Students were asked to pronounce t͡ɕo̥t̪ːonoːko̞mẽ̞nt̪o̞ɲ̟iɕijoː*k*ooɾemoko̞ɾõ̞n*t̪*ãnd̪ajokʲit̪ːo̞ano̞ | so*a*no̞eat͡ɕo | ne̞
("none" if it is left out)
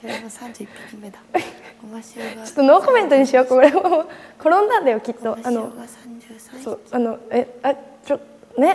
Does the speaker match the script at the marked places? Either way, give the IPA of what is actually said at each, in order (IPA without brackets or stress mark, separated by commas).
k, d̪, a